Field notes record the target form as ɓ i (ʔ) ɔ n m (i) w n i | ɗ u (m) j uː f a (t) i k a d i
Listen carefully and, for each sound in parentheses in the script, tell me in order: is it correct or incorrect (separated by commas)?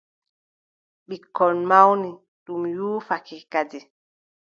incorrect, incorrect, correct, incorrect